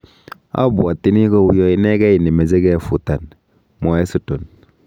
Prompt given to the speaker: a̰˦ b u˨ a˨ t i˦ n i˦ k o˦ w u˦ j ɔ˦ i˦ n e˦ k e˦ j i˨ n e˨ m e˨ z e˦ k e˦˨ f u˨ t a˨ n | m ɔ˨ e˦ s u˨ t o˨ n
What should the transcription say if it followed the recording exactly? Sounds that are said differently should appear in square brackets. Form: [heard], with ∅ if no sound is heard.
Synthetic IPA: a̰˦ b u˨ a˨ t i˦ n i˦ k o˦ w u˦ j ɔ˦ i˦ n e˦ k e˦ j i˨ n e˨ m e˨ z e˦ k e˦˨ f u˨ t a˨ n | m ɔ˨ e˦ s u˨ t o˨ n